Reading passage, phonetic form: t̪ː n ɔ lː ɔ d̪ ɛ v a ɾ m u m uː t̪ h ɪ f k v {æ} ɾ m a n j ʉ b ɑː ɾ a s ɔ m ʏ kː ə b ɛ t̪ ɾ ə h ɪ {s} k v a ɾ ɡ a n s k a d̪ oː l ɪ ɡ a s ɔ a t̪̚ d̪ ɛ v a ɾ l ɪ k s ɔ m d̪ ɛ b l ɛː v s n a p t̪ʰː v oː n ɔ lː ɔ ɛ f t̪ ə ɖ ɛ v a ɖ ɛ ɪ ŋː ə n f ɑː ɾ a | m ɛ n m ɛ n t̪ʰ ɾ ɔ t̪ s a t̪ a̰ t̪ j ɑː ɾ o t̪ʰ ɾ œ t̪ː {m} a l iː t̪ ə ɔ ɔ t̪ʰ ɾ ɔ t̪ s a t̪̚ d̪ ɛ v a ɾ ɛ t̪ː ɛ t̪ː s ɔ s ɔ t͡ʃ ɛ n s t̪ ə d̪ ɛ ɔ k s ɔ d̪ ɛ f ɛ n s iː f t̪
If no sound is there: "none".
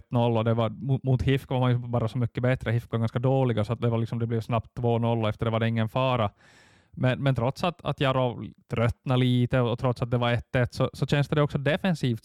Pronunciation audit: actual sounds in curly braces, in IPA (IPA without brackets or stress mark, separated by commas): a, f, n